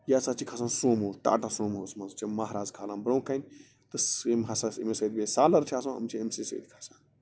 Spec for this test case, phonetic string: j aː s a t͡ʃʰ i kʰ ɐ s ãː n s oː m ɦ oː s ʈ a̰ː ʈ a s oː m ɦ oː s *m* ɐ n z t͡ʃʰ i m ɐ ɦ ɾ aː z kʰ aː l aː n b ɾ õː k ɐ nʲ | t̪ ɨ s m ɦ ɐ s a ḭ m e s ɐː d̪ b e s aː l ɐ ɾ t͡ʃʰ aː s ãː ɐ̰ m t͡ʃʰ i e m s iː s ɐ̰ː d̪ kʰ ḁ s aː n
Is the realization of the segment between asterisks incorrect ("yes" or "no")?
no